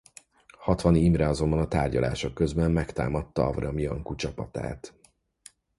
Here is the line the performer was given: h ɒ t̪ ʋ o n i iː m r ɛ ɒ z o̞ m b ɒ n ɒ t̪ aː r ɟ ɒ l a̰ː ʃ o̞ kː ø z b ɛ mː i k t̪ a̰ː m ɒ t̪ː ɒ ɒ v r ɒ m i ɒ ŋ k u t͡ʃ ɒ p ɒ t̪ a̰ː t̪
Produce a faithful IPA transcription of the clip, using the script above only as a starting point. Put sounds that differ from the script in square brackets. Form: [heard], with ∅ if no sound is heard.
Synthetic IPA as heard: h ɒ t̪ ʋ [ɒ] n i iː m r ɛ ɒ z o̞ m b ɒ n ɒ t̪ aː r ɟ ɒ l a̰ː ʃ o̞ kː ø z b ɛ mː [ɛ] k t̪ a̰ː m ɒ t̪ː ɒ ɒ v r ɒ m i ɒ ŋ k u t͡ʃ ɒ p ɒ t̪ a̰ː t̪